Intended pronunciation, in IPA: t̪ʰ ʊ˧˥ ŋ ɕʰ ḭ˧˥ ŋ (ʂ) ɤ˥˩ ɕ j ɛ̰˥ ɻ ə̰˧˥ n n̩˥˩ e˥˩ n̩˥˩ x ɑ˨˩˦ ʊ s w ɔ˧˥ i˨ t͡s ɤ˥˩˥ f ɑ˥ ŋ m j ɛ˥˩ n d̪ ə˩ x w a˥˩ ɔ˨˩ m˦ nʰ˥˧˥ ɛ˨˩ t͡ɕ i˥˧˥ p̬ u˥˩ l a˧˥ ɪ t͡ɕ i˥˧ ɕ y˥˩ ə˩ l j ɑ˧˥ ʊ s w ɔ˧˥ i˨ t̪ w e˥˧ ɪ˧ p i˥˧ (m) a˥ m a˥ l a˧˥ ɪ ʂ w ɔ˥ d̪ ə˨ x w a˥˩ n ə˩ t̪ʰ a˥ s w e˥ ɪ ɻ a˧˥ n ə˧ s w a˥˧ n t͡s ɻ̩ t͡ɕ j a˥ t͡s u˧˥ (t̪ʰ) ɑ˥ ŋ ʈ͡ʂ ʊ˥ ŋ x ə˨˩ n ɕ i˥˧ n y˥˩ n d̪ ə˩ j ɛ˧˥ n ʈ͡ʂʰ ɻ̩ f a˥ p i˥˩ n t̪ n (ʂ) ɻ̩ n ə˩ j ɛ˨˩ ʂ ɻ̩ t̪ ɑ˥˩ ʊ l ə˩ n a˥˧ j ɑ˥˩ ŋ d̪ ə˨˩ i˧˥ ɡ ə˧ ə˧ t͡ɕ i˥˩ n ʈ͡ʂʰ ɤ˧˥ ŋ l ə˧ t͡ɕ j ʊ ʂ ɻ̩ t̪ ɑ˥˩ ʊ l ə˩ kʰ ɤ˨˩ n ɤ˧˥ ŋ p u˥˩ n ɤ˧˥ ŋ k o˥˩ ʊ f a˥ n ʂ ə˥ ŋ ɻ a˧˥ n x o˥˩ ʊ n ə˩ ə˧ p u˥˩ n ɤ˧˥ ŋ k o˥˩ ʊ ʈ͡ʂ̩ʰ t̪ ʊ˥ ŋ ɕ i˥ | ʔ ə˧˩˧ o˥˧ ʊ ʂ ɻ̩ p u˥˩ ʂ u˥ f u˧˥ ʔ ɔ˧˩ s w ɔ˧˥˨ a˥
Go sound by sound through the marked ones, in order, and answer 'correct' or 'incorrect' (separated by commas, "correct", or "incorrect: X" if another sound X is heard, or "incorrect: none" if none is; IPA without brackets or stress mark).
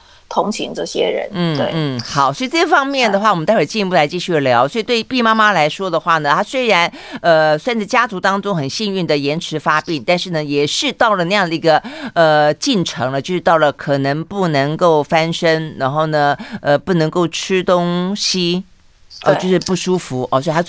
incorrect: ʈ͡ʂ, correct, incorrect: t̪, correct